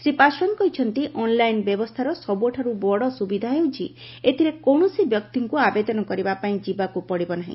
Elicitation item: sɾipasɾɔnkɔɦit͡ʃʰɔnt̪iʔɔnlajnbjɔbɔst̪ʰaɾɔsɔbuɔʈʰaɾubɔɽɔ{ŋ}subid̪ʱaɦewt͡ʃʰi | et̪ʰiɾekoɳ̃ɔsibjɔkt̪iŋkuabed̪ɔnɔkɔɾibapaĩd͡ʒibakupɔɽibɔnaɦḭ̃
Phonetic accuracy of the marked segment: incorrect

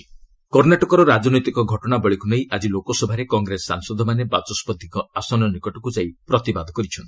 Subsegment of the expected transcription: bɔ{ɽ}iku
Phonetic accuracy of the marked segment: incorrect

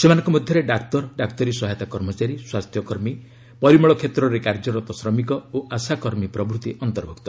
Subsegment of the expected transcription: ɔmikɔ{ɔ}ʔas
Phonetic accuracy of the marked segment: incorrect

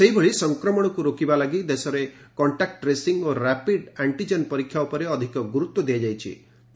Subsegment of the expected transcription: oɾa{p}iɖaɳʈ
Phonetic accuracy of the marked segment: correct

